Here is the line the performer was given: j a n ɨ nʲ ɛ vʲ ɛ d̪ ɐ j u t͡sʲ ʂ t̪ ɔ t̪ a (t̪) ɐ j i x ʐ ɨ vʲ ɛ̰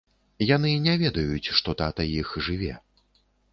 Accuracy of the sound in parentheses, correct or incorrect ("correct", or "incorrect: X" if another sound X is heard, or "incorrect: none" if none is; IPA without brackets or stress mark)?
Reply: correct